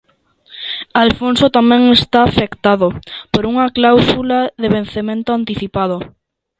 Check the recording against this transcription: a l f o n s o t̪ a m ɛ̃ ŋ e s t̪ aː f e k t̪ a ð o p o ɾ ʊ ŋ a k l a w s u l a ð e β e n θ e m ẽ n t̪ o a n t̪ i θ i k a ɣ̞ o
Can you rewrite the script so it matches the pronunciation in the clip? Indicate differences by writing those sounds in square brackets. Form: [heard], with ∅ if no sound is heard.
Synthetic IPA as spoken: a l f o n s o t̪ a m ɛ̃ ŋ e s t̪ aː f e k t̪ a ð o p o ɾ [u] ŋ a k l a w s u l a ð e β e n θ e m ẽ n t̪ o a n t̪ i θ i [p] a [ð̞] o

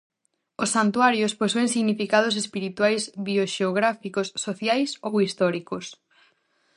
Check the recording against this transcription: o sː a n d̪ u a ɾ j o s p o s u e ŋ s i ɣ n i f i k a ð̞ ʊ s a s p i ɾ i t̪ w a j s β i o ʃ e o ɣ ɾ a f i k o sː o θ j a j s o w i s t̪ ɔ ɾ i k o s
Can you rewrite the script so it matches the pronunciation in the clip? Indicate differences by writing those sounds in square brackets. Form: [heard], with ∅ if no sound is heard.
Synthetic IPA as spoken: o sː a n [t̪] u a ɾ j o s p o s u e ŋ s i ɣ n i f i k a ð̞ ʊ s [e] s p i ɾ i t̪ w a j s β i o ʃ e o ɣ ɾ a f i k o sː o θ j a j s o w i s t̪ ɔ ɾ i k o s

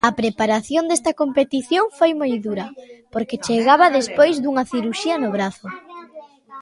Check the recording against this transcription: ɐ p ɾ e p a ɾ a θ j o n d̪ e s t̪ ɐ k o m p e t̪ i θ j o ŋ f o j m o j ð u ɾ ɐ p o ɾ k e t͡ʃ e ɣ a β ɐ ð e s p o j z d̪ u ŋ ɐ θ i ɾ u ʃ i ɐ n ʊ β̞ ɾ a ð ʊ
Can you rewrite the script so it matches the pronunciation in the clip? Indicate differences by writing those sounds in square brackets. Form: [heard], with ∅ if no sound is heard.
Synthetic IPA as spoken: ɐ p ɾ e p a ɾ a θ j o n d̪ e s t̪ ɐ k o m p e t̪ i θ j o ŋ f o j m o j ð u ɾ ɐ p o ɾ k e t͡ʃ e ɣ a β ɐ ð e s p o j z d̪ u ŋ ɐ θ i ɾ u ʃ i ɐ n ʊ β̞ ɾ a [θ] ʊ

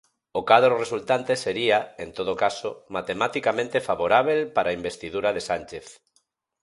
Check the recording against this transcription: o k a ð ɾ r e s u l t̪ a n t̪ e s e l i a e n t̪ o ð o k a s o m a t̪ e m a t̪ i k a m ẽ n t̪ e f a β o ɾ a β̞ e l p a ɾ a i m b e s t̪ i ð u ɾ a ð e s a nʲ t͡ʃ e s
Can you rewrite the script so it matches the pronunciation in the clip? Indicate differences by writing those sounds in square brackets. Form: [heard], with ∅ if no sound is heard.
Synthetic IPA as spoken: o k a ð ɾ r e s u l t̪ a n t̪ e s e [ɾ] i a e n t̪ o ð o k a s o m a t̪ e m a t̪ i k a m ẽ n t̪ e f a β o ɾ a β̞ e l p a ɾ a i m b e s t̪ i ð u ɾ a ð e s a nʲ t͡ʃ e [θ]

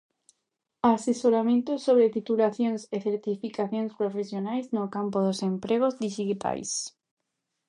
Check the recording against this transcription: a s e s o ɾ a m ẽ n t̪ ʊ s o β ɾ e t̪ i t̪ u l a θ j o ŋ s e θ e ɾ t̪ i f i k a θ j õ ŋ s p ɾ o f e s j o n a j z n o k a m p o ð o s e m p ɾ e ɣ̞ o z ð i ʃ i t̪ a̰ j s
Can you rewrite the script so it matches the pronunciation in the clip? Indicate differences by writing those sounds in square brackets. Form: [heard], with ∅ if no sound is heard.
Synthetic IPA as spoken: a s e s o ɾ a m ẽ n t̪ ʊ s o β ɾ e t̪ i t̪ u l a θ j o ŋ s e θ e ɾ t̪ i f i k a θ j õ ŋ s p ɾ o f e s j o n a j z n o k a m p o ð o s e m p ɾ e ɣ̞ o z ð i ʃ i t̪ a̰ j s

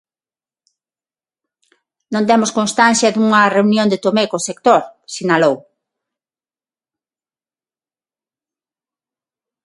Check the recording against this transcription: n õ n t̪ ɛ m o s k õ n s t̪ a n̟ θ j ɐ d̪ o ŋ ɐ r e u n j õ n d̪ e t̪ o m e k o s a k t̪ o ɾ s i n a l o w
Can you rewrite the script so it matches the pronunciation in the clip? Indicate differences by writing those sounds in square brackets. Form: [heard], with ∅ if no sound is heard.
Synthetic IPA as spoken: n õ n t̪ ɛ m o s k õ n s t̪ a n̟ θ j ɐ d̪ [u] ŋ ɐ r e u n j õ n d̪ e t̪ o m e k o s [e] k t̪ o ɾ s i n a l o w

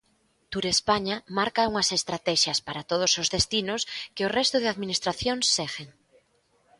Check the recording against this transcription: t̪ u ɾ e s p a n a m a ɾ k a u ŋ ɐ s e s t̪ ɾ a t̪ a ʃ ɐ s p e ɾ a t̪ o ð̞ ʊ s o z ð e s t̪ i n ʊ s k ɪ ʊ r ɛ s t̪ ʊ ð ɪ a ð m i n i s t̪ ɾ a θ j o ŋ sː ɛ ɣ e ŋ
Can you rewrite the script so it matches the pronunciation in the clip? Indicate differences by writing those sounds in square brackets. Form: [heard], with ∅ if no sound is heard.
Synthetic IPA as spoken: t̪ u ɾ e s p a [ɲ] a m a ɾ k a u ŋ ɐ s e s t̪ ɾ a t̪ [ɛ] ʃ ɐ s p [a] ɾ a t̪ o ð̞ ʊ s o z ð e s t̪ i n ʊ s k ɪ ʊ r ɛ s t̪ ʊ ð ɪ a ð m i n i s t̪ ɾ a θ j o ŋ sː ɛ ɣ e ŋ

